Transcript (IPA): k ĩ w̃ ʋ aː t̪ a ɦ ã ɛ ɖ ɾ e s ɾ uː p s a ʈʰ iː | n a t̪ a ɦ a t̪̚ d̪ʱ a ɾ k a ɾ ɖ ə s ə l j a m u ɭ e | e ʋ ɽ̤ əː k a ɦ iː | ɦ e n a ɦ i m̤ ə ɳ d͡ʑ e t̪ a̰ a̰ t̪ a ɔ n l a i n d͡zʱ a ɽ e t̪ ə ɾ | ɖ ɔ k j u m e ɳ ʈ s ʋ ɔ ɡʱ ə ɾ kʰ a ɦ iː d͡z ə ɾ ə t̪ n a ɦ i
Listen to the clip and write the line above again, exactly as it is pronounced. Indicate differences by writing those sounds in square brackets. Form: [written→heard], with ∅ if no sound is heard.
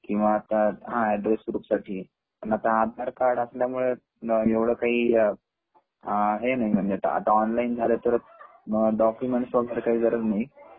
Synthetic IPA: k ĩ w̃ ʋ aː t̪ a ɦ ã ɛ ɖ ɾ e s ɾ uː p s a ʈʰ iː | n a t̪ a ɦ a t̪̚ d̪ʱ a ɾ k a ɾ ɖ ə s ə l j a m u ɭ e | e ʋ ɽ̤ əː k a ɦ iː | ɦ e n a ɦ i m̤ ə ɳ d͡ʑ e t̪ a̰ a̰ t̪ a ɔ n l a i n d͡zʱ a [ɽ→l] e t̪ ə ɾ | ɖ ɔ k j u m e ɳ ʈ s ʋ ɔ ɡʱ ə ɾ [kʰ→k] a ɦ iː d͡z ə ɾ ə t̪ n a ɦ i